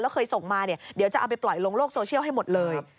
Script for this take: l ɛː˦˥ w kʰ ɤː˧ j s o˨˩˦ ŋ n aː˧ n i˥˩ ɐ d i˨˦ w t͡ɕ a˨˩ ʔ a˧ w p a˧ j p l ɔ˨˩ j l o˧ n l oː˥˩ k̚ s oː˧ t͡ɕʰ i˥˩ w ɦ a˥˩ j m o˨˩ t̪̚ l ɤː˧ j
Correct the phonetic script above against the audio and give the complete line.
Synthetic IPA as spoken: l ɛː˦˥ w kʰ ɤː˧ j s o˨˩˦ ŋ m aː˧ n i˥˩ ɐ d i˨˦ w t͡ɕ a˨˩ ʔ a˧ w p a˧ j p l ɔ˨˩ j l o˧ ŋ l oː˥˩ k̚ s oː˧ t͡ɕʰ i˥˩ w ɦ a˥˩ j m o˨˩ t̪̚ l ɤː˧ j